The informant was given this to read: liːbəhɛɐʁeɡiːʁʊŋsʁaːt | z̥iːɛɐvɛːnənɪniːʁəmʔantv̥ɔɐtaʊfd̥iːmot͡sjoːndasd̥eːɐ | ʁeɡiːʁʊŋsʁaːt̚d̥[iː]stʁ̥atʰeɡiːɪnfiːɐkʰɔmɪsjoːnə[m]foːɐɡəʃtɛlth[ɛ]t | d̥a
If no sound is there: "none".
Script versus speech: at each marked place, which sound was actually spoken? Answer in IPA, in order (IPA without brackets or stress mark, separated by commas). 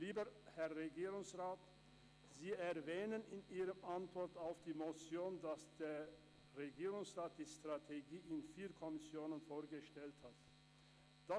iː, n, a